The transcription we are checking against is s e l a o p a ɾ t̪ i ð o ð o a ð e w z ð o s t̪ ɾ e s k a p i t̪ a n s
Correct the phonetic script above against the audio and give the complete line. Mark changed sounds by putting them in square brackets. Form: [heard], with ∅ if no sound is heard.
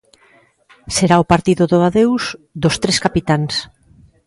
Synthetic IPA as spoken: s e [ɾ] a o p a ɾ t̪ i ð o ð o a ð e w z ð o s t̪ ɾ e s k a p i t̪ a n s

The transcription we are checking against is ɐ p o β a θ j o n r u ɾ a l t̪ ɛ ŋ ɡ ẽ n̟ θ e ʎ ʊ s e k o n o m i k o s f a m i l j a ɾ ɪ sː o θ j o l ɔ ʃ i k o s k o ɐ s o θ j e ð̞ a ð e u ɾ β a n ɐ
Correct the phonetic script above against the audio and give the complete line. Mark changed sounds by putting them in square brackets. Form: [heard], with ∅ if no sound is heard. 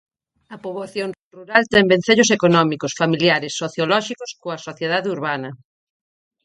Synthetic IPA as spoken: ɐ p o β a θ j o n r u ɾ a l t̪ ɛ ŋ [b] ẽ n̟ θ e ʎ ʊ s e k o n [ɔ] m i k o s f a m i l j a ɾ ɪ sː o θ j o l ɔ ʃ i k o s k o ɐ s o θ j e ð̞ a ð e u ɾ β a n ɐ

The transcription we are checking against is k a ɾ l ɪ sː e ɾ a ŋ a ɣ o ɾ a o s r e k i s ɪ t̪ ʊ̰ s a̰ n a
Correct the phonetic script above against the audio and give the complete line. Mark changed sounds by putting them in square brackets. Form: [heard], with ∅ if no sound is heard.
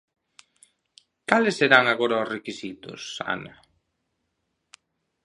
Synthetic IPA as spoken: k a [∅] l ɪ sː e ɾ a ŋ a ɣ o ɾ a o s r e k i s [i] t̪ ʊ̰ s a̰ n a

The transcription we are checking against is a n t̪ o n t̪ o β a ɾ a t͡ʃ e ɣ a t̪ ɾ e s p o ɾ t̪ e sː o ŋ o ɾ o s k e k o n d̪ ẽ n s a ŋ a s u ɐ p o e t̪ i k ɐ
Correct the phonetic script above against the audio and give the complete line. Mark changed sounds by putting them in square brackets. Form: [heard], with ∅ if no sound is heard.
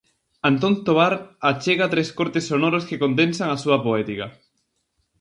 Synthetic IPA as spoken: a n t̪ o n t̪ o β a ɾ a t͡ʃ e ɣ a t̪ ɾ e s [k] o ɾ t̪ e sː o [n] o ɾ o s k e k o n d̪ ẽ n s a ŋ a s u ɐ p o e t̪ i k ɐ

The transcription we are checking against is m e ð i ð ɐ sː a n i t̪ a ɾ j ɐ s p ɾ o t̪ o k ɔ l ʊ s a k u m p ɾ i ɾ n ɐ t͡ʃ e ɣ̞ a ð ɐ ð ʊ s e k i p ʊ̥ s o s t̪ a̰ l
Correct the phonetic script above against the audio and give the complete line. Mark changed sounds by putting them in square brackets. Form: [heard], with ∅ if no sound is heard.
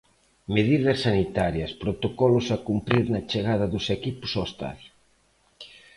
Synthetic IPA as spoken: m e ð i ð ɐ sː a n i t̪ a ɾ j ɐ s p ɾ o t̪ o k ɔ l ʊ s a k u m p ɾ i ɾ n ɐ t͡ʃ e ɣ̞ a ð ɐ ð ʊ s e k i p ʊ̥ s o s t̪ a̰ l

